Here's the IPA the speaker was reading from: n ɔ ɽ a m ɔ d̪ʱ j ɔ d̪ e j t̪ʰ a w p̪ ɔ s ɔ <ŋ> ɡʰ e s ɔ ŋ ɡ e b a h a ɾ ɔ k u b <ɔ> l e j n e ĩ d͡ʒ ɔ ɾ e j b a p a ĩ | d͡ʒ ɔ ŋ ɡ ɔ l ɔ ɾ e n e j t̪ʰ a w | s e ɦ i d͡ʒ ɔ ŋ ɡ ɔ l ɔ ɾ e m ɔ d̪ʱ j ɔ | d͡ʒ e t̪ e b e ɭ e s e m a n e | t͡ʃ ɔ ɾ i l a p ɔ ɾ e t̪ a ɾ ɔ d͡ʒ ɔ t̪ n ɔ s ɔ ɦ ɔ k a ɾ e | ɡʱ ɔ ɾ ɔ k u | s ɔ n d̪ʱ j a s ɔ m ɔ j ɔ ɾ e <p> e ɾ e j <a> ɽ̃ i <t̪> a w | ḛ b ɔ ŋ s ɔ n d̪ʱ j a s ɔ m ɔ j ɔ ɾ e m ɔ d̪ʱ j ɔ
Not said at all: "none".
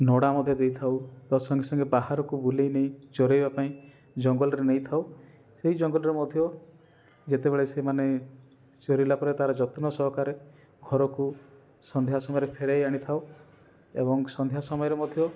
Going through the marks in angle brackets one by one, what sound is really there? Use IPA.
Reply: ŋ, u, pʰ, a, t̪ʰ

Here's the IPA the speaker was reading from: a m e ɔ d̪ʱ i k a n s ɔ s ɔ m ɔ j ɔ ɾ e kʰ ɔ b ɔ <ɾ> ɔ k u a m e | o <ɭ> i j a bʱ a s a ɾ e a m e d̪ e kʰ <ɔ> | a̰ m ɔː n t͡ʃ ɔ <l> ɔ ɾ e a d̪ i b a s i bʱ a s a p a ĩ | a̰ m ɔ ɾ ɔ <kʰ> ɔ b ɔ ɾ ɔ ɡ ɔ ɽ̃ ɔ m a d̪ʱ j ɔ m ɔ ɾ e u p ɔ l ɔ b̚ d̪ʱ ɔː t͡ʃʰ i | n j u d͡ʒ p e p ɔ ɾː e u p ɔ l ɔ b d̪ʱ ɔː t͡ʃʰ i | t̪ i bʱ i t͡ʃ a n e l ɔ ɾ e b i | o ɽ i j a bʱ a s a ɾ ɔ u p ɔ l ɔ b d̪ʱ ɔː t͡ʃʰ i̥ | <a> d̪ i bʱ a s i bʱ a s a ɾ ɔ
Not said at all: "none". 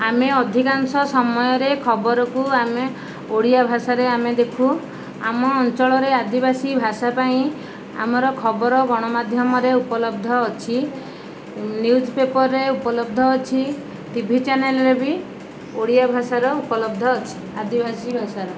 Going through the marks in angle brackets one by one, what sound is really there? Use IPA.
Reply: ɾ, ɽ, u, ɭ, kʰ, a

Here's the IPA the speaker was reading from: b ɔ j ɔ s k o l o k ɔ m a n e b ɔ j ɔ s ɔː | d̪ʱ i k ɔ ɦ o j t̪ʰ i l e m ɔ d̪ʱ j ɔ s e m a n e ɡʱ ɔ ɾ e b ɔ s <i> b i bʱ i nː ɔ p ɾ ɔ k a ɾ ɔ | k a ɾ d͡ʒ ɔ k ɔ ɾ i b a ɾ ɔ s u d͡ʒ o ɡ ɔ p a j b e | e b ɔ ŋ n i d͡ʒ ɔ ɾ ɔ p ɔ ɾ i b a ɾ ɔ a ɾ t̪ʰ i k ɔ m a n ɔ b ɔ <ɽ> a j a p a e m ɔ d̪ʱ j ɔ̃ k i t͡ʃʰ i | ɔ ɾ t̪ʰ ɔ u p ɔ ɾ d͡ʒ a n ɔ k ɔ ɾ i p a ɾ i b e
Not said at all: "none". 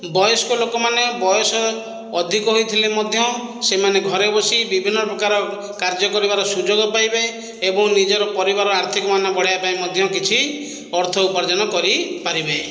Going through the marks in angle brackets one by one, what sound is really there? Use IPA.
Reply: i, ɽ

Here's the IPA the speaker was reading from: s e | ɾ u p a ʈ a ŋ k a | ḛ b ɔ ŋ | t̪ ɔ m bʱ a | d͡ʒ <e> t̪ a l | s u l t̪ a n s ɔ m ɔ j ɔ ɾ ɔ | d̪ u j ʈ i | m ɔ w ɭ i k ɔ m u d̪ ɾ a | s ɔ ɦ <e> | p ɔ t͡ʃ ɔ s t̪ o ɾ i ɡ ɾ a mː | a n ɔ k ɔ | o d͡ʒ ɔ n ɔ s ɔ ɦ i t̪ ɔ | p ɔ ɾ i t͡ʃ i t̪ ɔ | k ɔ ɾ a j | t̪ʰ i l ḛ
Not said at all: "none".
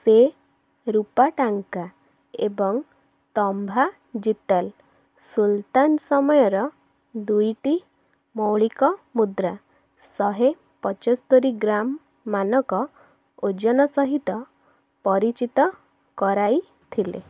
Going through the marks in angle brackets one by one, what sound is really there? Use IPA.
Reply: i, e

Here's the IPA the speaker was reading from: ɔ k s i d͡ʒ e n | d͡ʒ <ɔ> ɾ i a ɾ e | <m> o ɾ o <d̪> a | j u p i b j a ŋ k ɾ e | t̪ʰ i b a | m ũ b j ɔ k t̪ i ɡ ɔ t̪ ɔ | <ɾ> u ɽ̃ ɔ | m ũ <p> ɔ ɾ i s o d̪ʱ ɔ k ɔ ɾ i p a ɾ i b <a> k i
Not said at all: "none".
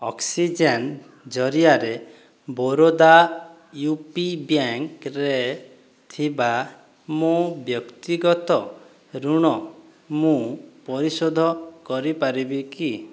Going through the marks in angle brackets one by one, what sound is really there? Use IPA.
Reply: ɔ, b, d̪, ɾ, p, i

